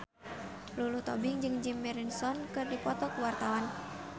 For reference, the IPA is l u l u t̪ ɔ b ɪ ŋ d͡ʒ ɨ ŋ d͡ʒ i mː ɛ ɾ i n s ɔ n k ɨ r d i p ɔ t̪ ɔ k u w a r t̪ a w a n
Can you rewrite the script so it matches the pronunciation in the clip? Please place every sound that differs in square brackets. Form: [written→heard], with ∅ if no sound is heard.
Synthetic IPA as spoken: l u l u t̪ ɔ b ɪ ŋ d͡ʒ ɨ ŋ d͡ʒ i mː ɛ ɾ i n s ɔ n k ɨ r d i p ɔ t̪ ɔ k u w a r t̪ a w a n

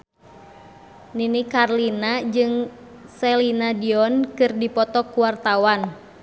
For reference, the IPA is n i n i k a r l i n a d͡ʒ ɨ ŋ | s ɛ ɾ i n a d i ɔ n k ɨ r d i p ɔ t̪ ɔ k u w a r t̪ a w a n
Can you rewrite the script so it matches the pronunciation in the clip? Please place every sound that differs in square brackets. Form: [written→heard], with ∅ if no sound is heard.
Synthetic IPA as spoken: n i n i k a r l i n a d͡ʒ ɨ ŋ | s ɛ [ɾ→l] i n a d i ɔ n k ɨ r d i p ɔ t̪ ɔ k u w a r t̪ a w a n

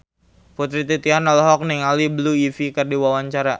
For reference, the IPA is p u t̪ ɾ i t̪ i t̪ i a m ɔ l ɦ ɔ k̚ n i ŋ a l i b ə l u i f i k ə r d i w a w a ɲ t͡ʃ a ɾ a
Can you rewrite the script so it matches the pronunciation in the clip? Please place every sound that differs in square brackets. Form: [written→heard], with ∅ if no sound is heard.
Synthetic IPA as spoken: p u t̪ ɾ i t̪ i t̪ i a [m→n] ɔ l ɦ ɔ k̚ n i ŋ a l i b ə l u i f i k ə r d i w a w a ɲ t͡ʃ a ɾ a

